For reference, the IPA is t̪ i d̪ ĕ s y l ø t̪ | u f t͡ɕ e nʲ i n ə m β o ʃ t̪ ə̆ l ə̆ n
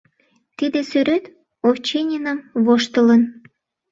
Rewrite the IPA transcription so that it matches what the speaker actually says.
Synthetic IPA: t̪ i d̪ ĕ s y ɾ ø t̪ | o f t͡ɕ e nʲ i n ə m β o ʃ t̪ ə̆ l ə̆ n